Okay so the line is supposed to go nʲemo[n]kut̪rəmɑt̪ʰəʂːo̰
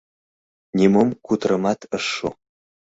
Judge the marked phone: incorrect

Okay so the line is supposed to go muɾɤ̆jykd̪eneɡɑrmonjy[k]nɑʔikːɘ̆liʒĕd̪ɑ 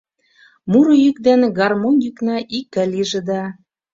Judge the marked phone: correct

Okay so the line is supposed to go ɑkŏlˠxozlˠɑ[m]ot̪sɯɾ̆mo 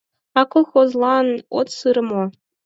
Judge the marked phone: incorrect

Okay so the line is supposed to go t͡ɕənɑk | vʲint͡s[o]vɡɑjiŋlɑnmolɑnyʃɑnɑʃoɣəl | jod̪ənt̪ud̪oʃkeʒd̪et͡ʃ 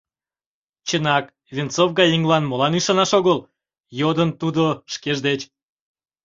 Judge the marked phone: correct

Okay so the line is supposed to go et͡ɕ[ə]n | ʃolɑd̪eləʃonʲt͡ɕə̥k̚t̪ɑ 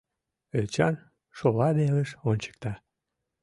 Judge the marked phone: incorrect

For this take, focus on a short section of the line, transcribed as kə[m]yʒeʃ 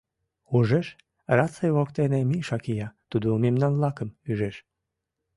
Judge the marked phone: correct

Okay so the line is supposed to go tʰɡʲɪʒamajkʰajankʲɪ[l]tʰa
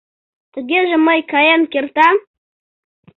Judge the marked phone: incorrect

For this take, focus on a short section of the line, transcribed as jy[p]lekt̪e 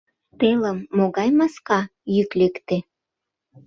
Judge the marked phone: incorrect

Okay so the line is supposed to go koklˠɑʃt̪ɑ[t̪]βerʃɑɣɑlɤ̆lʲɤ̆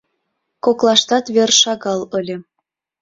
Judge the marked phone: correct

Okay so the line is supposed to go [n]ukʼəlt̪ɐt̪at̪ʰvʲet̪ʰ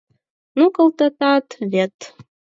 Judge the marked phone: correct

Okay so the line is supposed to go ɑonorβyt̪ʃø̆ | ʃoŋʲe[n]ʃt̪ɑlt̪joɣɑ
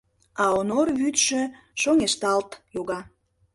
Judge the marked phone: incorrect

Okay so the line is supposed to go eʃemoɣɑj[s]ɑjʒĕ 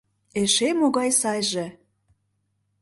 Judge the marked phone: correct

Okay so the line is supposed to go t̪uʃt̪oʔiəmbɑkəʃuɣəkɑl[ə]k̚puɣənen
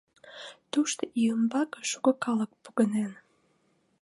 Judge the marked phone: correct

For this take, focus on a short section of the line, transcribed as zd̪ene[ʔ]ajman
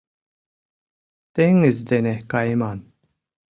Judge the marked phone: incorrect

